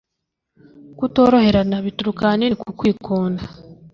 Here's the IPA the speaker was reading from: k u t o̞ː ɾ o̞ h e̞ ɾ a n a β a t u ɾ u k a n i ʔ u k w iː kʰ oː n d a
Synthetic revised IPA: k u t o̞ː ɾ o̞ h e̞ ɾ a n a β i t u ɾ u k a n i k u k w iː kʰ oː n d a